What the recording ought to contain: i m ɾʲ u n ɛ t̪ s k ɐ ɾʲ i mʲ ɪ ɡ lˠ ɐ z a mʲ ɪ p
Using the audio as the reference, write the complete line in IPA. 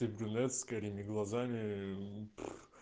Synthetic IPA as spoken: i b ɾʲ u n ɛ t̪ s k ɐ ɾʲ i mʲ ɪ ɡ lˠ ɐ z a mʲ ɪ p